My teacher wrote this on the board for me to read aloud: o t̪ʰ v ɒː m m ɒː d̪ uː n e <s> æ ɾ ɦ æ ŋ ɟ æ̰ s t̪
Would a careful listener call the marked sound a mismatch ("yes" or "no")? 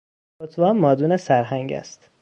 no